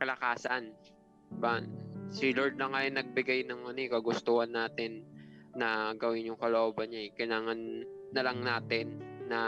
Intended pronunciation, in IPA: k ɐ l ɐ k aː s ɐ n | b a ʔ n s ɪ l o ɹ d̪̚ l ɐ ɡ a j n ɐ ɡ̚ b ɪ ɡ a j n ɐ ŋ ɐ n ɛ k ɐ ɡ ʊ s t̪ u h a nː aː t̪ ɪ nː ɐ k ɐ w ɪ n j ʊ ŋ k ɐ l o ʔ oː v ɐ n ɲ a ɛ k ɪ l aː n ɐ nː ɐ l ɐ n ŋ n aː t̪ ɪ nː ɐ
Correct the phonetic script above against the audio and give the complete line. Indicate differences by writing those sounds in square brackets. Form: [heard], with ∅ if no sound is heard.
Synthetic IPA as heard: k ɐ l ɐ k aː s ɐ n | b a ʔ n s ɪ l o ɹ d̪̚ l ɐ [ŋ] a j n ɐ ɡ̚ b ɪ ɡ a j n ɐ ŋ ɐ n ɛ k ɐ ɡ ʊ s t̪ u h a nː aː t̪ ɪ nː ɐ [ɡ] ɐ w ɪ n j ʊ ŋ k ɐ l o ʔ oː [b] ɐ n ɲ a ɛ k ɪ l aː [ŋ] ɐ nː ɐ l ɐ [∅] ŋ n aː t̪ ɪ nː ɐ